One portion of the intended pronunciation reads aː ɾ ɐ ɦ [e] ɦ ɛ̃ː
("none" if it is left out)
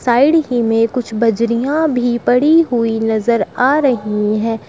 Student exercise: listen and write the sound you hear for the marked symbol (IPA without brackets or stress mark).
i